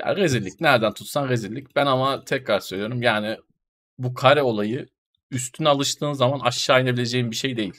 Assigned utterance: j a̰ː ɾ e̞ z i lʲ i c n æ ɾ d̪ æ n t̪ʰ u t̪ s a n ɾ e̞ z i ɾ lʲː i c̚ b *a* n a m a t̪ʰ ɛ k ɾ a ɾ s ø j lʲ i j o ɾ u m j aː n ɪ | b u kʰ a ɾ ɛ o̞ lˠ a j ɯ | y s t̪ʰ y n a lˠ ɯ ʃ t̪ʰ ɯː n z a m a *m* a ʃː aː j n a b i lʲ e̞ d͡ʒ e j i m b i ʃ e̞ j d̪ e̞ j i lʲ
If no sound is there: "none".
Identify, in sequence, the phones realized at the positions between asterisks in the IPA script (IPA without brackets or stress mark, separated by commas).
æ, n